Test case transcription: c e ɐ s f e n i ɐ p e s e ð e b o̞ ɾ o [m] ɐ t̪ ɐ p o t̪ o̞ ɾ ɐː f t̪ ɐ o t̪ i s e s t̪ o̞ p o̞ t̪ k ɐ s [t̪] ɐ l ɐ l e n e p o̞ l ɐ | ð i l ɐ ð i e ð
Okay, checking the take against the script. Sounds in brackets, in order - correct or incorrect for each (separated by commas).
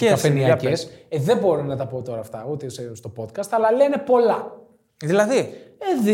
incorrect, correct